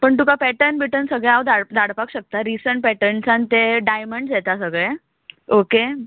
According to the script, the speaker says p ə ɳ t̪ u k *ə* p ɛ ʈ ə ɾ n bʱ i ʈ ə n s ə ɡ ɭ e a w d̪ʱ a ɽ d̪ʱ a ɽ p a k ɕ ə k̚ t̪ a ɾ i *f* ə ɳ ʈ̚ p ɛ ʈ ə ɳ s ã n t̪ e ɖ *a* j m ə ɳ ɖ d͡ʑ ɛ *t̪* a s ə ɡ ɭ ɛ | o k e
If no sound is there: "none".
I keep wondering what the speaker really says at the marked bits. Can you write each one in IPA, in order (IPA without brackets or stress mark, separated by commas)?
a, s, a, t̪